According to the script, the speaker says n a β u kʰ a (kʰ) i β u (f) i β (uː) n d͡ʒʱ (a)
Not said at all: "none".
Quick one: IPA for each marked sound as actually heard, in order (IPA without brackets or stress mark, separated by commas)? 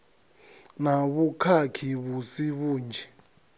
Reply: kʰ, s, uː, ɛ